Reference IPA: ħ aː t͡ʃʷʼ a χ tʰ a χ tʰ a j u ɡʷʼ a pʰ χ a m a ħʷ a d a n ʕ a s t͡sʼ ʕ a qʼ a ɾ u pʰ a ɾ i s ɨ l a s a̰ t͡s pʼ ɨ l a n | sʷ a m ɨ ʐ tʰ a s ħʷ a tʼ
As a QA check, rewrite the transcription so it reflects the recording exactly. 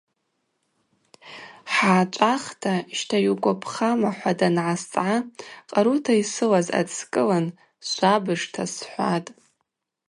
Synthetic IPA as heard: ħ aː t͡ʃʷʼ a χ tʰ a ʃ tʰ a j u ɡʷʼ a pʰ χ a m a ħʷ a d a n ʕ a s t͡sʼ ʕ a qʼ a ɾ u tʰ a i s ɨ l a z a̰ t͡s kʼ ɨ l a n | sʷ a b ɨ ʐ tʰ a s ħʷ a tʼ